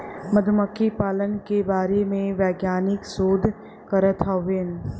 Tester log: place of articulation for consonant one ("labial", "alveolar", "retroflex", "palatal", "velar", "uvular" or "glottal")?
labial